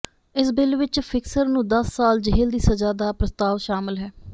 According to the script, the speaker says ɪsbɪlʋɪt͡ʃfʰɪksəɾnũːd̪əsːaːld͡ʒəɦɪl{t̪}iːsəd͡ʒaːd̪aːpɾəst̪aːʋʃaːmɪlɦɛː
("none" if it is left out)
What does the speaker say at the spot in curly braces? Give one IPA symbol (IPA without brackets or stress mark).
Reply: d̪